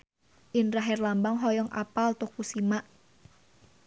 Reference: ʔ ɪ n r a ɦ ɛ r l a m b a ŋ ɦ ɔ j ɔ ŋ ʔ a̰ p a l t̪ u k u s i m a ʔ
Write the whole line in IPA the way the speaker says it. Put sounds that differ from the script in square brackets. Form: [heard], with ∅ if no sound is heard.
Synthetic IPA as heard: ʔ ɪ n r a ɦ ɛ r l a m b a ŋ ɦ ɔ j ɔ ŋ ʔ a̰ p a l t̪ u k u s i m a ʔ